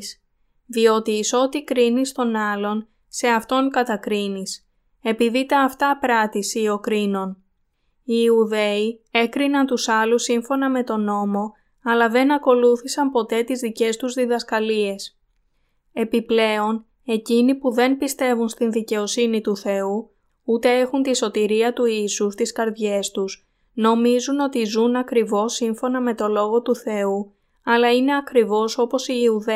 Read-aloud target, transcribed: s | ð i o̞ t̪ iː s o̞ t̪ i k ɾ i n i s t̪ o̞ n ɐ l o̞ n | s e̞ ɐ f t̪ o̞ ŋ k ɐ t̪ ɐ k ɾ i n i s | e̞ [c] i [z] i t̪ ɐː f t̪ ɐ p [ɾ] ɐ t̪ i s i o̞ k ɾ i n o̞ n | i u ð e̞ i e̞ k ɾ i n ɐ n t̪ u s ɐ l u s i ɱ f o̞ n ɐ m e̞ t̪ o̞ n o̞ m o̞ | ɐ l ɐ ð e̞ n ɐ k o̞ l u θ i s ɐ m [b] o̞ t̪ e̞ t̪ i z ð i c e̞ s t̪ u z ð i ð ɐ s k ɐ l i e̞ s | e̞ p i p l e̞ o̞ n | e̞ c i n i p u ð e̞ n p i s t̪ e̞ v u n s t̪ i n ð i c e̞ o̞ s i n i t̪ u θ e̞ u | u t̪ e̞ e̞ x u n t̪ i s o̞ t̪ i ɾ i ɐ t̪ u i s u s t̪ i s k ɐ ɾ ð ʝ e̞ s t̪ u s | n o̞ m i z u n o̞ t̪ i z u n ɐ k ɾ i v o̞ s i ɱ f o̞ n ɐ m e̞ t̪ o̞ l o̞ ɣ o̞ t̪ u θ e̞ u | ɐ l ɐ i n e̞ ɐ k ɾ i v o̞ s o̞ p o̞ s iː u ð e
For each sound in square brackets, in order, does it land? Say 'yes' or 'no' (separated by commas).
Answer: no, no, yes, no